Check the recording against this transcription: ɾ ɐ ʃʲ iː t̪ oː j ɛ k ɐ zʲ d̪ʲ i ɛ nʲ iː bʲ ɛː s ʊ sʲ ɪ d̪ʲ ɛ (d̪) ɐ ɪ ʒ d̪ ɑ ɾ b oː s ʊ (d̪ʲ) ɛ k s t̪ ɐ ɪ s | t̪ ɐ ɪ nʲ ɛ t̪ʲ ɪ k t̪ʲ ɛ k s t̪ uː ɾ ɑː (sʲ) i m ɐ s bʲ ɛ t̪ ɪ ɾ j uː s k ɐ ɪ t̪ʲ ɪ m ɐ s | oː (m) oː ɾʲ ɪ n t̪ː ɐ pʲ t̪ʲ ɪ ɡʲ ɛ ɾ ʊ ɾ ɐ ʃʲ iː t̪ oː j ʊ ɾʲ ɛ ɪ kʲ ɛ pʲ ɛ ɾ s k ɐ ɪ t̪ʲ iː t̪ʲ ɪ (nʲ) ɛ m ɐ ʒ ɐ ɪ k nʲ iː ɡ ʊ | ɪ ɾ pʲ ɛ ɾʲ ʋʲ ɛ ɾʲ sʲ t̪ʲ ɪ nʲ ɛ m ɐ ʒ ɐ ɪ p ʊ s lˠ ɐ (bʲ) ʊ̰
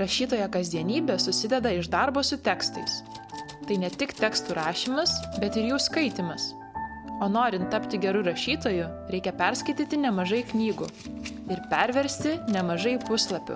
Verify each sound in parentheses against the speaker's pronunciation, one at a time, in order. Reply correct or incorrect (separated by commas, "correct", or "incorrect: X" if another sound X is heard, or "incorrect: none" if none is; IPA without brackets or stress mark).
correct, incorrect: t̪ʲ, incorrect: ʃʲ, incorrect: n, correct, incorrect: pʲ